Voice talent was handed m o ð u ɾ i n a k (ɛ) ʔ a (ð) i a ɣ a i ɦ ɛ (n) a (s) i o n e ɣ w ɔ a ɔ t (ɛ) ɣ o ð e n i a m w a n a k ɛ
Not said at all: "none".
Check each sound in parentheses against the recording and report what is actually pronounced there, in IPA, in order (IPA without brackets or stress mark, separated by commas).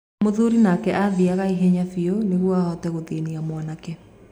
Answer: ɛ, ð, ɲ, f, ɛ